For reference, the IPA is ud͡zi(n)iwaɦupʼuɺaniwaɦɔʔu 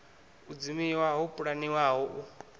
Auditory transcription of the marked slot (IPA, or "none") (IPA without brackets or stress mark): m